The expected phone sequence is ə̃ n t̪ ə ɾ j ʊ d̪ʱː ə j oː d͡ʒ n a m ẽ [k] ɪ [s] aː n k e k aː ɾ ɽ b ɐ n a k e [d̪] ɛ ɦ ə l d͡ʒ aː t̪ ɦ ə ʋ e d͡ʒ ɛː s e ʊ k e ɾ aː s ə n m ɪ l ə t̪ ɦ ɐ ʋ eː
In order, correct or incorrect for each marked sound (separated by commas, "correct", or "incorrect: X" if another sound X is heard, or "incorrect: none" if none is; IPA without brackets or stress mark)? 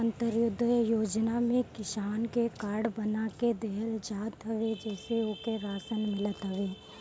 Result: correct, incorrect: ʃ, correct